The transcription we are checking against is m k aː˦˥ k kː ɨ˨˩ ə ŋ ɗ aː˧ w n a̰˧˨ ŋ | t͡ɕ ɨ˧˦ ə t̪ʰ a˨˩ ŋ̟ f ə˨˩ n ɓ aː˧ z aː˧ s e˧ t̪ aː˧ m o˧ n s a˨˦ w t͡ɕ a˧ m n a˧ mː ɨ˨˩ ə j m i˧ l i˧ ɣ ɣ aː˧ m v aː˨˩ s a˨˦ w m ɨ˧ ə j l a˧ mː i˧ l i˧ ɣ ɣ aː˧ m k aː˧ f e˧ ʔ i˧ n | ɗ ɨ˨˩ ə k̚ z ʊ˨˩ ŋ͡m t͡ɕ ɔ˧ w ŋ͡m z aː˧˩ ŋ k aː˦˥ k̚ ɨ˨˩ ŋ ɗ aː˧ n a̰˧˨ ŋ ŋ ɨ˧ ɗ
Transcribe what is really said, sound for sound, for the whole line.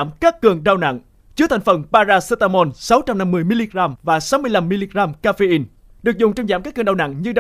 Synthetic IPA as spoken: m k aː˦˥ k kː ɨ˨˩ ə ŋ ɗ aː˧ w n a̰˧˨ ŋ | t͡ɕ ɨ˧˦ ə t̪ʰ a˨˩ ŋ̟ f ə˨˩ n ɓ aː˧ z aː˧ s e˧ t̪ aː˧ m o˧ n s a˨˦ w t͡ɕ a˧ m n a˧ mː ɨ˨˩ ə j m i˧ l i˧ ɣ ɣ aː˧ m v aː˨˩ s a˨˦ w m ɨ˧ ə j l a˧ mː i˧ l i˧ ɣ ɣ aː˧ m k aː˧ f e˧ ʔ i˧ n | ɗ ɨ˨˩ ə k̚ z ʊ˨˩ ŋ͡m t͡ɕ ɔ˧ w ŋ͡m z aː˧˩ m k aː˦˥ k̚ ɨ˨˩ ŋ ɗ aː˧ n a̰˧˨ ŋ ɲ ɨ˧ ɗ